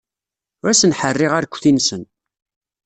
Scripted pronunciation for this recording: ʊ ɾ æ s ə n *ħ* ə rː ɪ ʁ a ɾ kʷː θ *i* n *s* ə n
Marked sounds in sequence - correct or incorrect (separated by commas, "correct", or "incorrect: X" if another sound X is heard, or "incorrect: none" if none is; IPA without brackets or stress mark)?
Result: correct, correct, correct